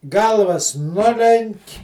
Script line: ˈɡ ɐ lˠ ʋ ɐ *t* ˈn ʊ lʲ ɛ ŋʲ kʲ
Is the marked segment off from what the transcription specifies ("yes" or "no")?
yes